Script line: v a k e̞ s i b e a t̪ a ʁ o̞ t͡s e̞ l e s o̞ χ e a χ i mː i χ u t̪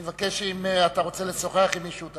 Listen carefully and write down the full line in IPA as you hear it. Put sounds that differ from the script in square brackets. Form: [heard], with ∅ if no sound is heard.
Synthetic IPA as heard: v a k e̞ [ʃ] i [m] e a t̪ a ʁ o̞ t͡s e̞ l e s o̞ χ e a χ i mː i [ʃ] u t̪